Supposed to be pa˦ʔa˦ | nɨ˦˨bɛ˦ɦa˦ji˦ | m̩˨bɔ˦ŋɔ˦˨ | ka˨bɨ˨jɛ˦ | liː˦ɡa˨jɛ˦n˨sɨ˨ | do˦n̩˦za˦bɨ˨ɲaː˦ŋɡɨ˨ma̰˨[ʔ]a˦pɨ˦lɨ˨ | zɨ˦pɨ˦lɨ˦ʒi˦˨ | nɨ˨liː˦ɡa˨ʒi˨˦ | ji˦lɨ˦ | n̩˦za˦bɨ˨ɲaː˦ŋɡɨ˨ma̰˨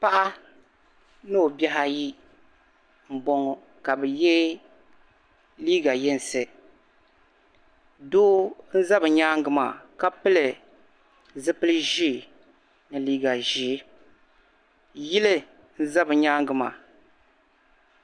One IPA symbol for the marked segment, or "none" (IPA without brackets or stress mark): k